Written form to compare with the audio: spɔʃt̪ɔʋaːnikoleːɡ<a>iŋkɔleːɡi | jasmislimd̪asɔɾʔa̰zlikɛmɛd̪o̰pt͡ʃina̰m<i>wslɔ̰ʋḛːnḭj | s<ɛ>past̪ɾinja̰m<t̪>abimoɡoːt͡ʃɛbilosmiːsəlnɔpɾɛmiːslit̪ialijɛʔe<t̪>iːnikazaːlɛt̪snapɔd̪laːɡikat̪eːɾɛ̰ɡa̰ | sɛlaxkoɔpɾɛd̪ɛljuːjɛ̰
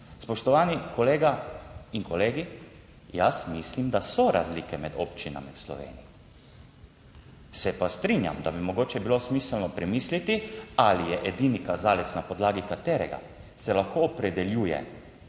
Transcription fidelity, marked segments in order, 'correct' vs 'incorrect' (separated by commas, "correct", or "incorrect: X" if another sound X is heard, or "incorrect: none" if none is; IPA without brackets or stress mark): correct, correct, correct, incorrect: d̪, incorrect: d̪